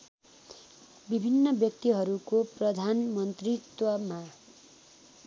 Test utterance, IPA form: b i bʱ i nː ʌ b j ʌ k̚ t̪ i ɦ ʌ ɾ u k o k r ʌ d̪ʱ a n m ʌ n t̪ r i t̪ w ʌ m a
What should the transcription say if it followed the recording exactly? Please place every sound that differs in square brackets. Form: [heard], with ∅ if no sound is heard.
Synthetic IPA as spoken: b i bʱ i nː ʌ b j ʌ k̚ t̪ i ɦ ʌ ɾ u k o [p] r ʌ d̪ʱ a n m ʌ n t̪ r i t̪ w ʌ m a

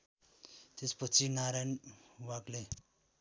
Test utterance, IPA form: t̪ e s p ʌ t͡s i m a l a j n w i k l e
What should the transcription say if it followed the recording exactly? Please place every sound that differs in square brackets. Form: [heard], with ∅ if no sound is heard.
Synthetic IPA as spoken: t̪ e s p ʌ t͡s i [n] a [ɾ] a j n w [a] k l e

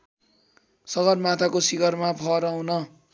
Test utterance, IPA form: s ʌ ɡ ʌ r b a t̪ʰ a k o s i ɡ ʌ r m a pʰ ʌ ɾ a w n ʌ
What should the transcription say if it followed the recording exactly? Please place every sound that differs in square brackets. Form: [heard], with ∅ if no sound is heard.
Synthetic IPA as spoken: s ʌ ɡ ʌ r [m] a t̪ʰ a k o s i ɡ ʌ r m a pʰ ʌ ɾ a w n ʌ

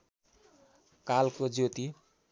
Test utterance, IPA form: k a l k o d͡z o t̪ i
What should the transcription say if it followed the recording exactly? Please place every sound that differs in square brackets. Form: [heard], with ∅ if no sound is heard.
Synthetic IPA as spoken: k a l k o d͡z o t̪ i

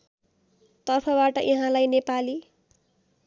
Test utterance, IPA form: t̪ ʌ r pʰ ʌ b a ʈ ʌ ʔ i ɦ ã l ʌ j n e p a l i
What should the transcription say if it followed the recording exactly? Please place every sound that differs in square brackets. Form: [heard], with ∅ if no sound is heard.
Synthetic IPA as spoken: t̪ ʌ r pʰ ʌ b a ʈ ʌ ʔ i ɦ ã l [a] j n e p a l i

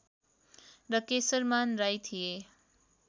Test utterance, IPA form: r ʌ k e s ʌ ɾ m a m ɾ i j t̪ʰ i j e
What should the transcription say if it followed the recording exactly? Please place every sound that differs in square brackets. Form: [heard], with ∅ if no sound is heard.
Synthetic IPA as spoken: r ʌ k e s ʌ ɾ m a [n] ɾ [a] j t̪ʰ i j e

